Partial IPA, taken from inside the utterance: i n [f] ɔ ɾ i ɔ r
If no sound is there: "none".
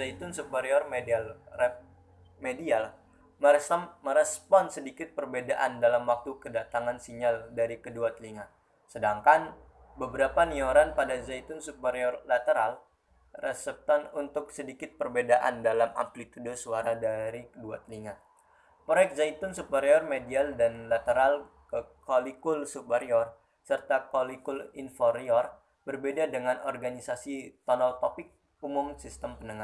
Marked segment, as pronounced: f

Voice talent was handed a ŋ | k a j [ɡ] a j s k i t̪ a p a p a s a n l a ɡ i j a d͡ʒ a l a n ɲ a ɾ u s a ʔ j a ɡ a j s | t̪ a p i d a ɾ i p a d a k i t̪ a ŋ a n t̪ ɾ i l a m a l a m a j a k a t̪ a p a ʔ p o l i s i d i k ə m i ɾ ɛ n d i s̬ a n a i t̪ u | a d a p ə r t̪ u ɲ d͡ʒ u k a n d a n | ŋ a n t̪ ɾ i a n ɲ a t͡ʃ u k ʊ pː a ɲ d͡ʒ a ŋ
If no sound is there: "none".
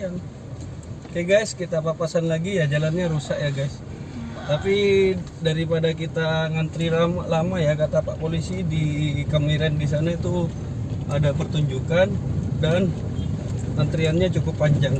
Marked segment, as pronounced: ɡ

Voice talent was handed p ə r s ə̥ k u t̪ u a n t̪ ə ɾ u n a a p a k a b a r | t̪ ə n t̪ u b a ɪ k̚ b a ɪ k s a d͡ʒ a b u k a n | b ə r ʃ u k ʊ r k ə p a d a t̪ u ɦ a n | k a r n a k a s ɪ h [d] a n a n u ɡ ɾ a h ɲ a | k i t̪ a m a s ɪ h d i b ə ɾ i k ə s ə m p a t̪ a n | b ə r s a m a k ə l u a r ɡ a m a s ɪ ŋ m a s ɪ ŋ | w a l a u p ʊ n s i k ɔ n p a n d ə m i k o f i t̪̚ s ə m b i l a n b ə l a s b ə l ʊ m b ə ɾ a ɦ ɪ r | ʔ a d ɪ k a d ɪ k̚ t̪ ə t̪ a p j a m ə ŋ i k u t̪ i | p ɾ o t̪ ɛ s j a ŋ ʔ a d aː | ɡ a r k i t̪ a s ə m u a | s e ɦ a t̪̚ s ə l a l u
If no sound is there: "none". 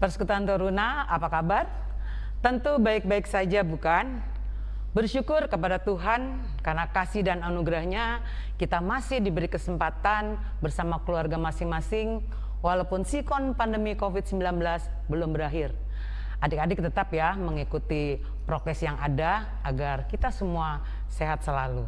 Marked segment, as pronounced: d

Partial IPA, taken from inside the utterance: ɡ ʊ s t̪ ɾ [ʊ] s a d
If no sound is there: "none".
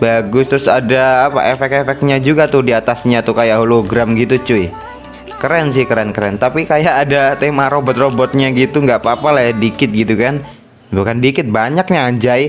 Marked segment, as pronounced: ʊ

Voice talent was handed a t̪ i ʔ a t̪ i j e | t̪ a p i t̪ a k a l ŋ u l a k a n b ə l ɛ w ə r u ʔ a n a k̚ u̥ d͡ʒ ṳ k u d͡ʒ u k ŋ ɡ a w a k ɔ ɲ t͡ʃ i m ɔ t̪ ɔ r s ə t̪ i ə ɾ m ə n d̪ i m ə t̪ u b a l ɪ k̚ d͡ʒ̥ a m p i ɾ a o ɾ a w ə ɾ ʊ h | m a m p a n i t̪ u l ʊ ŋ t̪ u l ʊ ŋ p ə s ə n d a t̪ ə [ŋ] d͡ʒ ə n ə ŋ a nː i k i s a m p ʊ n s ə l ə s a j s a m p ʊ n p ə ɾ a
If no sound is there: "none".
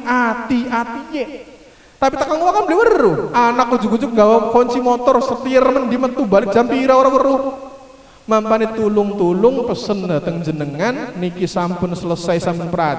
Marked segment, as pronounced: ŋ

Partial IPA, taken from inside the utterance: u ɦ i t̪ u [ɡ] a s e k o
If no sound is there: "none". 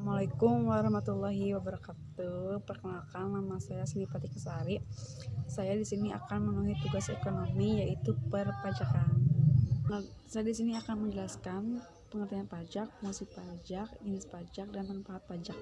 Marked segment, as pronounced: ɡ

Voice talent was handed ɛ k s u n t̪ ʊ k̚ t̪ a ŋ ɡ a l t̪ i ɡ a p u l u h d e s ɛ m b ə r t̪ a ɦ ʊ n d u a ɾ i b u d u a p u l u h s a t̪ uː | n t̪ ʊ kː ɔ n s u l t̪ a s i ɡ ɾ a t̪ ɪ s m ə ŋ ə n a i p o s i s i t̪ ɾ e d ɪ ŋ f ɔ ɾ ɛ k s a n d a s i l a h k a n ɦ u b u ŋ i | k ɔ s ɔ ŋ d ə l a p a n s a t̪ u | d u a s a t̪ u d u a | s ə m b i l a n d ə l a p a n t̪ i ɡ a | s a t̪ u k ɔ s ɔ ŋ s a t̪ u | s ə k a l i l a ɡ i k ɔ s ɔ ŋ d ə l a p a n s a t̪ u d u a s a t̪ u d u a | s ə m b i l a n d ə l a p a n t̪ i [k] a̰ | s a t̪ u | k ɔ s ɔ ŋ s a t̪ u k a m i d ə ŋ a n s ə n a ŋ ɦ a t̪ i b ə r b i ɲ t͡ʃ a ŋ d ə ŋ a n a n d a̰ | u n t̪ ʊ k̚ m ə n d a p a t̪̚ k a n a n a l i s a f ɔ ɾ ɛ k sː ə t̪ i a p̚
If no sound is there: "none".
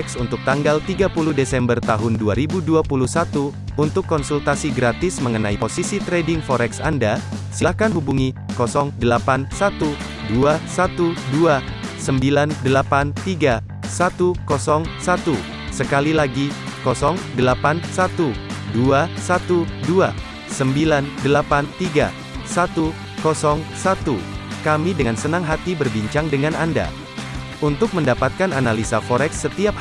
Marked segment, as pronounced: ɡ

